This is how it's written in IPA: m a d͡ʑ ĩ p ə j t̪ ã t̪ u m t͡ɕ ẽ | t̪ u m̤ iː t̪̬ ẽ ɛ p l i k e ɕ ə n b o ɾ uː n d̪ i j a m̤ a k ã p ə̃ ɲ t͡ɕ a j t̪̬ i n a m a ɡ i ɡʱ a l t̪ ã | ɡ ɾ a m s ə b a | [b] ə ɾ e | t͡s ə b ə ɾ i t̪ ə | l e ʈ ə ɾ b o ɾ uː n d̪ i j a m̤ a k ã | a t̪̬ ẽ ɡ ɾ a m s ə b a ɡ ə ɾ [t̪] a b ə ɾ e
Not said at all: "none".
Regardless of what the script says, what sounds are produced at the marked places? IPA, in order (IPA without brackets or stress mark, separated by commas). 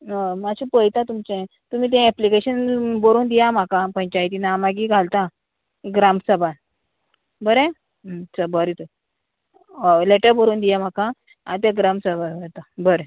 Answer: b, t̪